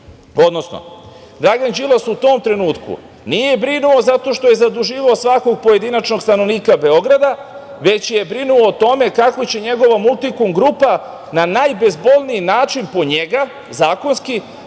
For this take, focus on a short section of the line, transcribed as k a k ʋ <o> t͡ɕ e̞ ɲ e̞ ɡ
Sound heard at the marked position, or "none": o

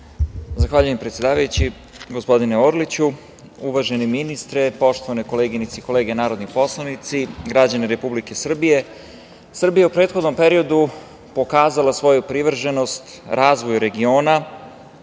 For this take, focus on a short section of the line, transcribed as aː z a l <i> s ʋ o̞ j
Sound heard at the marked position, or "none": a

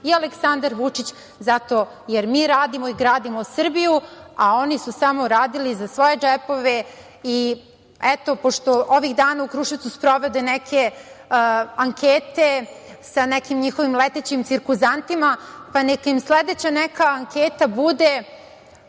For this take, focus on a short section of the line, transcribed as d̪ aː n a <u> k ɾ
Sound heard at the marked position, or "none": u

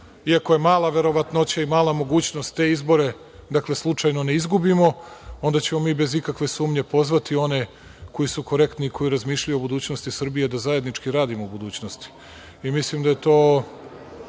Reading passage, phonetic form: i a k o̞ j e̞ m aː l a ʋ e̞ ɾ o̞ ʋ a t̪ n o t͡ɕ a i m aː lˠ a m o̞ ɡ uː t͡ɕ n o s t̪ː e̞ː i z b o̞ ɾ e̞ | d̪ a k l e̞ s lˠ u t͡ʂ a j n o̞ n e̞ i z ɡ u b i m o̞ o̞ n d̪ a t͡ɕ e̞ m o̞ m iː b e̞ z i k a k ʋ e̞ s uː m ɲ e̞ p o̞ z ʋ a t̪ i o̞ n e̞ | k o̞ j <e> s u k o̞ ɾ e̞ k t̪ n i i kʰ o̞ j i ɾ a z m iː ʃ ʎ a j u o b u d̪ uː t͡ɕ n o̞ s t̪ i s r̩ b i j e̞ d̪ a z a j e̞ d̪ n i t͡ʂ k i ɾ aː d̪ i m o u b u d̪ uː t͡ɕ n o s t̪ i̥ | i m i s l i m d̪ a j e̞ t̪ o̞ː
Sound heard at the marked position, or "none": i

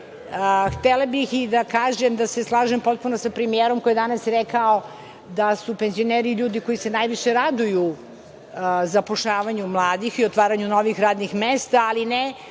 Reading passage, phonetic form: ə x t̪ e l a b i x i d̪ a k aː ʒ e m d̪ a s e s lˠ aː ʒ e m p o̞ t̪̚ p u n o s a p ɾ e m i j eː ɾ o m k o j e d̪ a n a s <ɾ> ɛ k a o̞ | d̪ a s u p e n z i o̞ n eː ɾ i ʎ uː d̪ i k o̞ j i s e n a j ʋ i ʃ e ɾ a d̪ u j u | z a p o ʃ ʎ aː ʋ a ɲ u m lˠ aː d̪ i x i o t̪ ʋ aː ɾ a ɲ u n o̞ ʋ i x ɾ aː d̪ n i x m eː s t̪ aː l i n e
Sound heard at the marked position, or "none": ɾ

